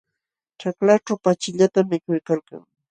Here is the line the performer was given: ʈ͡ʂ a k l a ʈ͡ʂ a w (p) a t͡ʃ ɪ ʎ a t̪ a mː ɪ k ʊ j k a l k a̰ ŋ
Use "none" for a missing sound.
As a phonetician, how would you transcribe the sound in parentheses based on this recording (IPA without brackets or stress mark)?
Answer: p